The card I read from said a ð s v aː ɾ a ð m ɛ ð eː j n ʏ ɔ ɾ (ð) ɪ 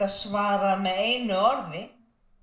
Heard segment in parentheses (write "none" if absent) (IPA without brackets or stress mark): ð